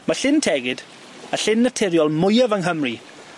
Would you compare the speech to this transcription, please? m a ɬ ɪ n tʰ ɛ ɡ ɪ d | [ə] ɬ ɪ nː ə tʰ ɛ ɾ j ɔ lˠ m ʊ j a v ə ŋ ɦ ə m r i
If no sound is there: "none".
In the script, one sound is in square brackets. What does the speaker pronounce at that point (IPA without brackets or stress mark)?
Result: ə